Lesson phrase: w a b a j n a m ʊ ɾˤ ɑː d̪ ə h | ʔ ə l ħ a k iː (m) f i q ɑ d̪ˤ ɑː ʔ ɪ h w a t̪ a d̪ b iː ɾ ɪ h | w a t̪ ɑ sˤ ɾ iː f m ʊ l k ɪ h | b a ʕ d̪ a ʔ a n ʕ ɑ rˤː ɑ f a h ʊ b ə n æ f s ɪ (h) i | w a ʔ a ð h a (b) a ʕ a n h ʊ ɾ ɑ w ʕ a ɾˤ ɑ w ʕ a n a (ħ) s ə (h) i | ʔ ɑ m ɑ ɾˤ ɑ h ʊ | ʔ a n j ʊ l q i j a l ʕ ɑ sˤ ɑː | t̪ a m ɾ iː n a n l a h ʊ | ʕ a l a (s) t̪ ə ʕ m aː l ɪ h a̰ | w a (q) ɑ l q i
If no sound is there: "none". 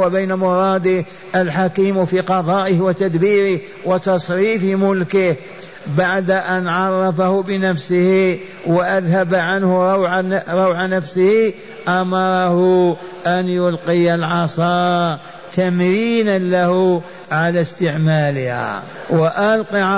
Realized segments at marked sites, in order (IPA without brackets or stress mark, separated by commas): m, h, b, f, h, s, ʔ